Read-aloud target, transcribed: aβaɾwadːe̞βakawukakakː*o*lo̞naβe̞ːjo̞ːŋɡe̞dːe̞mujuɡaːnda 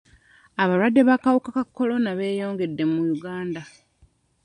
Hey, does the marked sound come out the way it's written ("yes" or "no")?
yes